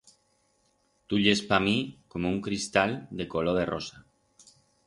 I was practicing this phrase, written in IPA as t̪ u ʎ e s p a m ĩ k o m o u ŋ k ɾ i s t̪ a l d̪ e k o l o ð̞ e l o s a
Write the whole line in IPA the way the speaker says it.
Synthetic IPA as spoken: t̪ u ʎ e s p a m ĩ k o m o u ŋ k ɾ i s t̪ a l d̪ e k o l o ð̞ e r o s a